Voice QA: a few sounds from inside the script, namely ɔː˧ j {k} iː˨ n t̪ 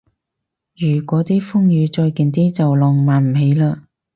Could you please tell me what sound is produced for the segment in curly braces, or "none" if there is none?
k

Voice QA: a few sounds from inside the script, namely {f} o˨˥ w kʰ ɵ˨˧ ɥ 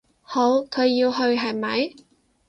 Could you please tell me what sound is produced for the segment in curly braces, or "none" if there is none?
h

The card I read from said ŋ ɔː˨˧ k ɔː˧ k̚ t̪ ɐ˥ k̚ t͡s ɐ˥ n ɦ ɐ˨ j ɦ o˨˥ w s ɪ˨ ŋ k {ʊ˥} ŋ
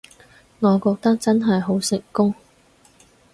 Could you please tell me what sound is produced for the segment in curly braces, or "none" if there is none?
ʊ˥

